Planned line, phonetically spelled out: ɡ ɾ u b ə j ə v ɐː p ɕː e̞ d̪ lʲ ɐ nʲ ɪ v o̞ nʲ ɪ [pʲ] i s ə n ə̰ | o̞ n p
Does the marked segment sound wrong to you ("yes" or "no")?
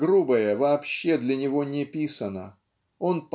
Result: no